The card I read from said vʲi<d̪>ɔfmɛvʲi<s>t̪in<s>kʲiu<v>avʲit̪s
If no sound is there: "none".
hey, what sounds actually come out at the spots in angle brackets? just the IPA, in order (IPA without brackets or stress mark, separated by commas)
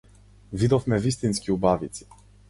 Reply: d̪, s, s, b